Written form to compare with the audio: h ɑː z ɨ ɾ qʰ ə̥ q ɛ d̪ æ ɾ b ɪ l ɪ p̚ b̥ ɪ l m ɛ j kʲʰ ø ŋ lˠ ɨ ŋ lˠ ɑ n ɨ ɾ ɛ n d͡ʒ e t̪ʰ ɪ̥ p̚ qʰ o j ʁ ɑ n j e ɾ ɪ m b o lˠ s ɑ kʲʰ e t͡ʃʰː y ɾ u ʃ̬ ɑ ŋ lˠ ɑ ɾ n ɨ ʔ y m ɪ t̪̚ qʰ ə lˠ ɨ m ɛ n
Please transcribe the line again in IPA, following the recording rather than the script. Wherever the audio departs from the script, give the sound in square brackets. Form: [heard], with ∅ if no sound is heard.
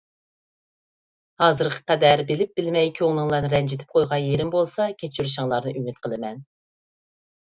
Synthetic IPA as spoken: h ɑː z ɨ ɾ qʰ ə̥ q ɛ d̪ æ ɾ b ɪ l ɪ p̚ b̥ ɪ l m ɛ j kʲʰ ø ŋ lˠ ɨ ŋ lˠ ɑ n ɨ ɾ ɛ n d͡ʒ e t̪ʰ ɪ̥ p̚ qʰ o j ʁ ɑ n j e ɾ ɪ m b o lˠ s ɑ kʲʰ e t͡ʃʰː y ɾ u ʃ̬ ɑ ŋ lˠ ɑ ɾ n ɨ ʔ y m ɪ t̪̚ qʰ ə lˠ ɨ m ɛ n

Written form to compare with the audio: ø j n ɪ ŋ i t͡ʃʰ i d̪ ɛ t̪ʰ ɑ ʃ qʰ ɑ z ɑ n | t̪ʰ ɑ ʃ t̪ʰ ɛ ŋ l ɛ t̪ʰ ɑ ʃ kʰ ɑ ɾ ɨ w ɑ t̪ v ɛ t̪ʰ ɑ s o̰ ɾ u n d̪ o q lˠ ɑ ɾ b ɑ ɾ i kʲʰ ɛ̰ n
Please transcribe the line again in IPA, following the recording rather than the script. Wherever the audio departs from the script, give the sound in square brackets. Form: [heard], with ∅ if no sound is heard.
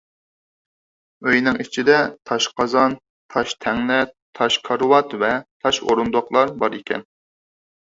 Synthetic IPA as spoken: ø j n ɪ ŋ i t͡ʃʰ i d̪ ɛ t̪ʰ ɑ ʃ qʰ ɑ z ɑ n | t̪ʰ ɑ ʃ t̪ʰ ɛ ŋ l ɛ t̪ʰ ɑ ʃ kʰ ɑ ɾ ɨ w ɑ t̪ v ɛ t̪ʰ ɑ [ʃ] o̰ ɾ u n d̪ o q lˠ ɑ ɾ b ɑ ɾ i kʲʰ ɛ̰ n

